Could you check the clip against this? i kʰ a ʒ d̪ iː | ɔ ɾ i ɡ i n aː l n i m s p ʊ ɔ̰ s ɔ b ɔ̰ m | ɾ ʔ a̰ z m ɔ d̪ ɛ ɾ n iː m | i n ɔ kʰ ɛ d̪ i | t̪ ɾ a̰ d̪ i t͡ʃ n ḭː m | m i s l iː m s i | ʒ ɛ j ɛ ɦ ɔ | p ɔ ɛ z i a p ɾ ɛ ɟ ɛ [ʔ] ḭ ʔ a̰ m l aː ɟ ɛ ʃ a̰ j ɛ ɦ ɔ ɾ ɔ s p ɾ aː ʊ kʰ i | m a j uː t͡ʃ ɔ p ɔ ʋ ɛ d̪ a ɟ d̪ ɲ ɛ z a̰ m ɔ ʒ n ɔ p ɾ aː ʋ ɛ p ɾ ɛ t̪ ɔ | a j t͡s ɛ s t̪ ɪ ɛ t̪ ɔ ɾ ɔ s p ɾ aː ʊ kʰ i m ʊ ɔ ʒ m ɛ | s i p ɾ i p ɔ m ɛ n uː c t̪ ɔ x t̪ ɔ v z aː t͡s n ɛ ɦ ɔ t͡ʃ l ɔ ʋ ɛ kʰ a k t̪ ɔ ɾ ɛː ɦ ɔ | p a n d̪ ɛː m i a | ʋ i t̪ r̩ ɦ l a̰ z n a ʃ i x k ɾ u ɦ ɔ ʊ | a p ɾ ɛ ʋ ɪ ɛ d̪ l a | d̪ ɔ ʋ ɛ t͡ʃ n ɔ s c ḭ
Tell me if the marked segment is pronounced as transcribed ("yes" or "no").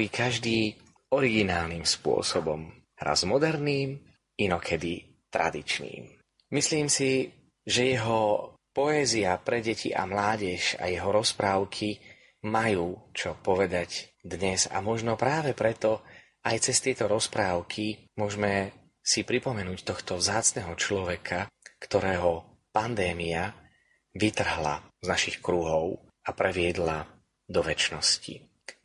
no